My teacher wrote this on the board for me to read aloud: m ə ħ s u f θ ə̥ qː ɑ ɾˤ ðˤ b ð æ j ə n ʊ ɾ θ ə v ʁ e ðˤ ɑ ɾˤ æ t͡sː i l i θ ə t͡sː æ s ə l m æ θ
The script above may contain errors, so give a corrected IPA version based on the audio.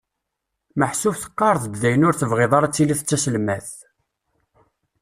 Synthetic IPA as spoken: m ə ħ s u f θ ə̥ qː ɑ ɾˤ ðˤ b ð æ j ə n ʊ ɾ θ ə v ʁ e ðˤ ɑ ɾˤ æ t͡sː i l i θ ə t͡sː æ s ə l m æ θ